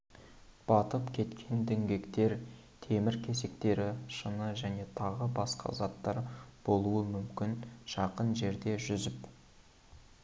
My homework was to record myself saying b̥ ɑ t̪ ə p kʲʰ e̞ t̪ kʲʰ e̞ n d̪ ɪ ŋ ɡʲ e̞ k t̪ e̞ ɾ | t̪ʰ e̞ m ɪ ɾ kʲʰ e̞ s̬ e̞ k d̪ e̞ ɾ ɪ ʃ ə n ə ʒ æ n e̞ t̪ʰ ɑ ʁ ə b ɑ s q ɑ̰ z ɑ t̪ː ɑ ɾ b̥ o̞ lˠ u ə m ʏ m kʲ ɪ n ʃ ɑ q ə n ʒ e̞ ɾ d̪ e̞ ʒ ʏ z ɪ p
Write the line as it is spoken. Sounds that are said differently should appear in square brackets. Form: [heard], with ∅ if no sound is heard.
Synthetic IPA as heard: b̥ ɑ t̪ ə p kʲʰ e̞ t̪ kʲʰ e̞ n d̪ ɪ ŋ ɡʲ e̞ k t̪ e̞ ɾ | t̪ʰ e̞ m ɪ ɾ kʲʰ e̞ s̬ e̞ k [t̪] e̞ ɾ ɪ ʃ ə n ə ʒ æ n e̞ t̪ʰ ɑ ʁ ə b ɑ s q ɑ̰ z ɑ t̪ː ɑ ɾ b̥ o̞ lˠ u ə m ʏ m kʲ ɪ n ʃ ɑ q ə n ʒ e̞ ɾ d̪ e̞ ʒ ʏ z ɪ p